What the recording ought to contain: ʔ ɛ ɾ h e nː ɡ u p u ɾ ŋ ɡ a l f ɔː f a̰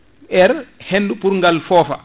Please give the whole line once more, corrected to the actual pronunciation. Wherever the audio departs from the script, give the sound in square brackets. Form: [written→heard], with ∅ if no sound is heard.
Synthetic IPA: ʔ ɛ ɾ h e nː [ɡ→d] u p u ɾ ŋ ɡ a l f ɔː f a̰